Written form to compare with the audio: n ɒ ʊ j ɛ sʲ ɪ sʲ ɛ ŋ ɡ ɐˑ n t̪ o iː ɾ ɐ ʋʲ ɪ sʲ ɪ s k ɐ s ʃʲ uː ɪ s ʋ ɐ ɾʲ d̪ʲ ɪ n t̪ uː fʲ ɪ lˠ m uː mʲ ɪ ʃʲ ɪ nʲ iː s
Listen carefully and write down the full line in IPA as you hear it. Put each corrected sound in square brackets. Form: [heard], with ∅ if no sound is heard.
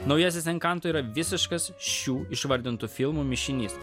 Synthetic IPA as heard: n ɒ ʊ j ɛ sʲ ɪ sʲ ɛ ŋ [k] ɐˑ n t̪ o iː ɾ ɐ ʋʲ ɪ sʲ ɪ [ʃ] k ɐ s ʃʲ uː ɪ [ʃ] ʋ ɐ ɾʲ d̪ʲ ɪ n t̪ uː fʲ ɪ lˠ m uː mʲ ɪ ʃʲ ɪ nʲ iː s

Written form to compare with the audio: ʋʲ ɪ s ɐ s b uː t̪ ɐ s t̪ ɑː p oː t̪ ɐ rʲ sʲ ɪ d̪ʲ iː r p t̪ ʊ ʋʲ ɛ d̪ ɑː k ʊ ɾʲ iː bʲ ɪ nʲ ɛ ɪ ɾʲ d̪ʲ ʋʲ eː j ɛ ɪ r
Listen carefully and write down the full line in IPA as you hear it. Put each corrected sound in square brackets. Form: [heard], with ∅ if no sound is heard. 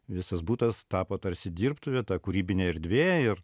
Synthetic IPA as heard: ʋʲ ɪ s ɐ s b uː t̪ ɐ s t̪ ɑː p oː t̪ ɐ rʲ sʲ ɪ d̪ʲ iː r p t̪ ʊ ʋʲ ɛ [t̪] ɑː k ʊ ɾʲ iː bʲ ɪ nʲ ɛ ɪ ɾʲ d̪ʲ ʋʲ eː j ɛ ɪ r

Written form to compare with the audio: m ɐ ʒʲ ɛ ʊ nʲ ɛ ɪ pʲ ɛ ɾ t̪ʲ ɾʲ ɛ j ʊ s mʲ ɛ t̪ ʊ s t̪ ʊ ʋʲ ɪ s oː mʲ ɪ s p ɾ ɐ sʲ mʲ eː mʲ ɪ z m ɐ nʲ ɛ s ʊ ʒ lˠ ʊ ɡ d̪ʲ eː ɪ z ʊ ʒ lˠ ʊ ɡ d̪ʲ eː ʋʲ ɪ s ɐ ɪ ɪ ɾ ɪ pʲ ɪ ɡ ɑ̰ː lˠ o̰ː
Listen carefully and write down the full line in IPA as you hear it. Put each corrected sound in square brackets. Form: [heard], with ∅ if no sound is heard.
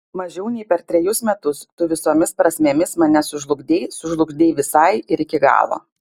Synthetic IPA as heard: m ɐ ʒʲ ɛ ʊ nʲ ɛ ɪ pʲ ɛ ɾ t̪ʲ ɾʲ ɛ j ʊ s mʲ ɛ t̪ ʊ s t̪ ʊ ʋʲ ɪ s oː mʲ ɪ s p ɾ ɐ sʲ mʲ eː mʲ ɪ [s] m ɐ nʲ ɛ s ʊ ʒ lˠ ʊ ɡ d̪ʲ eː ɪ [s] ʊ ʒ lˠ ʊ ɡ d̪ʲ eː ʋʲ ɪ s ɐ ɪ ɪ ɾ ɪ [kʲ] ɪ ɡ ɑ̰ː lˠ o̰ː

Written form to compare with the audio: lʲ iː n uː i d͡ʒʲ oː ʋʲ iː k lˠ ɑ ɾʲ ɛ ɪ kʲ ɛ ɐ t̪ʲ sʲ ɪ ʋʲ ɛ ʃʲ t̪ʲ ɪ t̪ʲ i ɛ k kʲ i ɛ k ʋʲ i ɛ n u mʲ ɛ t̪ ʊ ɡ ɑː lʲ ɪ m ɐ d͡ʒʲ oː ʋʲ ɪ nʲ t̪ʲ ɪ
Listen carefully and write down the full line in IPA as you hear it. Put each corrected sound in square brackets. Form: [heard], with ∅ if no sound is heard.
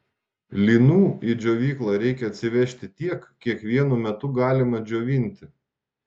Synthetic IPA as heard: lʲ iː n uː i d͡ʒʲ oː ʋʲ iː k lˠ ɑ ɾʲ ɛ ɪ kʲ ɛ ɐ t̪ʲ sʲ ɪ ʋʲ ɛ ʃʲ t̪ʲ ɪ t̪ʲ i ɛ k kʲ i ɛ k ʋʲ i ɛ n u mʲ ɛ t̪ ʊ ɡ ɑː lʲ ɪ m ɐ d͡ʒʲ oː ʋʲ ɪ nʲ t̪ʲ ɪ

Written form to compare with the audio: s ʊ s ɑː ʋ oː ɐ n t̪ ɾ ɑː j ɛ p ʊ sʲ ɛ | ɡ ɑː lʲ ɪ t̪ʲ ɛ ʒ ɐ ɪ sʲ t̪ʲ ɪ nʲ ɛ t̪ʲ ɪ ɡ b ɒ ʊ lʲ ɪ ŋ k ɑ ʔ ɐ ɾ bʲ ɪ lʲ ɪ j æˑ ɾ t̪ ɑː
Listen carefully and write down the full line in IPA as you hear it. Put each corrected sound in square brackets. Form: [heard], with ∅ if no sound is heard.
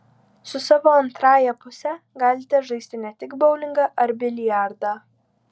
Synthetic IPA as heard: s ʊ s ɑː ʋ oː ɐ n t̪ ɾ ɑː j ɛ p ʊ sʲ ɛ | ɡ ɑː lʲ ɪ t̪ʲ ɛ ʒ ɐ ɪ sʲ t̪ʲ ɪ nʲ ɛ t̪ʲ ɪ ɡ b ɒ ʊ lʲ ɪ ŋ [ɡ] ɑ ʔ ɐ ɾ bʲ ɪ lʲ ɪ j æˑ ɾ [d̪] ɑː

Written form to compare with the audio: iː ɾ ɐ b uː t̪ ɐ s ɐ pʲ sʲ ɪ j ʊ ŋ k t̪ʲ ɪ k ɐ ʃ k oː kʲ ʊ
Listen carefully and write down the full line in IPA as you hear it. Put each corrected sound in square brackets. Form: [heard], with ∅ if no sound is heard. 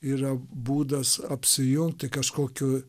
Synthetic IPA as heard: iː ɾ ɐ b uː [d̪] ɐ s ɐ pʲ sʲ ɪ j ʊ ŋ k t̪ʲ ɪ k ɐ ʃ k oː kʲ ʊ

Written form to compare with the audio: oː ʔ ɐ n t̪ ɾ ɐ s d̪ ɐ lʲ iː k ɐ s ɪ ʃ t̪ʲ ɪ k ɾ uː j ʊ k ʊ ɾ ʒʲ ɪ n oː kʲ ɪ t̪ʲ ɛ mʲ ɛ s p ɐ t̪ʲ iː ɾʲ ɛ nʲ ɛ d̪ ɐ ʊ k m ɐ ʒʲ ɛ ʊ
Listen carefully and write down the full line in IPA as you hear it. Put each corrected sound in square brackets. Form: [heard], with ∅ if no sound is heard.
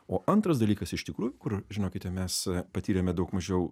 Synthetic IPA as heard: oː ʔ ɐ n t̪ ɾ ɐ s d̪ ɐ lʲ iː k ɐ s ɪ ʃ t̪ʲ ɪ k ɾ uː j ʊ k ʊ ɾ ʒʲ ɪ n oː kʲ ɪ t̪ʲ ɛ mʲ ɛ s p ɐ t̪ʲ iː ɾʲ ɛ [mʲ] ɛ d̪ ɐ ʊ k m ɐ ʒʲ ɛ ʊ

